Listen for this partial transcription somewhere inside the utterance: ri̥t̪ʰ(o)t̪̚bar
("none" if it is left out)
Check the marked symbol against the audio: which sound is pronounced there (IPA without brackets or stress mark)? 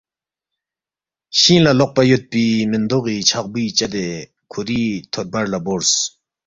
o